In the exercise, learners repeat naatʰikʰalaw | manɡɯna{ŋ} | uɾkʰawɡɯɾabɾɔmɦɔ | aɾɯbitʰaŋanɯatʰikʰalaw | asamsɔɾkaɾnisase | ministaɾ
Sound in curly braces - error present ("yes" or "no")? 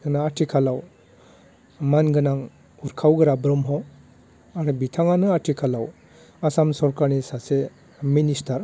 no